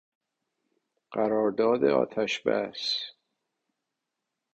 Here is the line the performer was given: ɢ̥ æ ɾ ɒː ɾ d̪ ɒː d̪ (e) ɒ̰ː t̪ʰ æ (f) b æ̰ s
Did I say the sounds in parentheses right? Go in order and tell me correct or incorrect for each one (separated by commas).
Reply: correct, incorrect